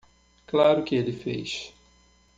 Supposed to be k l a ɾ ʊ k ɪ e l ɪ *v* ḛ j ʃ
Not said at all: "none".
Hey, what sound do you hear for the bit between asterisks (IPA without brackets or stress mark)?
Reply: f